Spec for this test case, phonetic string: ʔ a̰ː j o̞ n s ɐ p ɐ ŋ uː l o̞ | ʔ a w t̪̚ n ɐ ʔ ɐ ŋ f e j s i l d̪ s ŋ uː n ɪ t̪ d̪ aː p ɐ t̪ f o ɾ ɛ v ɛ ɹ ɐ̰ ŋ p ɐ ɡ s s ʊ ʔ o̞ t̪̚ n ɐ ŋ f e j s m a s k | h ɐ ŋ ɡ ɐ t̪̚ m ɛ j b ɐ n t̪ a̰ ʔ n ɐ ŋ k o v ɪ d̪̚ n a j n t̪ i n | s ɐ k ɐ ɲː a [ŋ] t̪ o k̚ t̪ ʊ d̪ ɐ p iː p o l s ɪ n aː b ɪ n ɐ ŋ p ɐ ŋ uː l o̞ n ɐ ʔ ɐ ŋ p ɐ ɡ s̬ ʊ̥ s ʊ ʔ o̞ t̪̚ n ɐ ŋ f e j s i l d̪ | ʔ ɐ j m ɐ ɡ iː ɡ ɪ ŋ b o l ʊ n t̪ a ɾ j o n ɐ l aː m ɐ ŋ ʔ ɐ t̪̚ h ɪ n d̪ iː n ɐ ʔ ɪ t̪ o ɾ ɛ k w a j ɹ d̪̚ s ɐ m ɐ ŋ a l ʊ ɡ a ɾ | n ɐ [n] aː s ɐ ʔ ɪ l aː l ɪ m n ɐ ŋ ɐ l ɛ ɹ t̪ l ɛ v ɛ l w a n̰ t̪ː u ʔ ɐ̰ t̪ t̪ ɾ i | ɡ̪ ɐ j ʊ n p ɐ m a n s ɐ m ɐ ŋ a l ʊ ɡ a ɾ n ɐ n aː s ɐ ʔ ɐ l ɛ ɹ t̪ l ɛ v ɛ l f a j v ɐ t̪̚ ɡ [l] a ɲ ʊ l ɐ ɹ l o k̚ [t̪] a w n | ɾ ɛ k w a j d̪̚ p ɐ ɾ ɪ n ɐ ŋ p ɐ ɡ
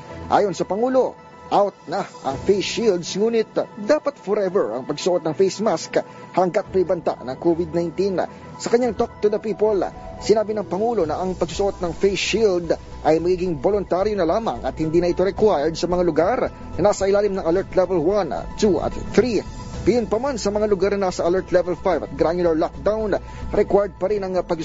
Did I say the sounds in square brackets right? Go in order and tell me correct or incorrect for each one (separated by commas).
correct, correct, incorrect, incorrect